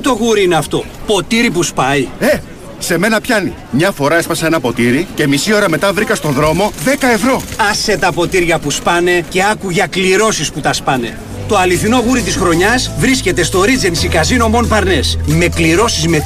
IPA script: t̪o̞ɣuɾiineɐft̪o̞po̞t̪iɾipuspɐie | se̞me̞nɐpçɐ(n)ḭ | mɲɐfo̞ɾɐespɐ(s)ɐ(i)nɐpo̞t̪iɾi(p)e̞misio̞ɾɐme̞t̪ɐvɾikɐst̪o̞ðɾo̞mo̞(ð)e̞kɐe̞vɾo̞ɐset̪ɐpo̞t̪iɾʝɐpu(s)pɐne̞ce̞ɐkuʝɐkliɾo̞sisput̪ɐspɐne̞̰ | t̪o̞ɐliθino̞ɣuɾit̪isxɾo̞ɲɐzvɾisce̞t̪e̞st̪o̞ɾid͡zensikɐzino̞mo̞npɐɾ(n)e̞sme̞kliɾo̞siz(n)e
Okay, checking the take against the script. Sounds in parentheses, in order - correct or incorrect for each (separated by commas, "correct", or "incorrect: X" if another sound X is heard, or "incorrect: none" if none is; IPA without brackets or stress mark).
correct, correct, incorrect: e, incorrect: c, correct, correct, correct, incorrect: m